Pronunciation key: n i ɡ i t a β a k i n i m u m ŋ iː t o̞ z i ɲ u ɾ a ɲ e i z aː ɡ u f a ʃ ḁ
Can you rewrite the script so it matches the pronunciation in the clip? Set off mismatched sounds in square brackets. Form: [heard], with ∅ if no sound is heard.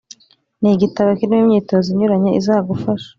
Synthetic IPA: n i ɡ i t a β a k i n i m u m [ɲ] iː t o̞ z i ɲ u ɾ a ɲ e i z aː ɡ u f a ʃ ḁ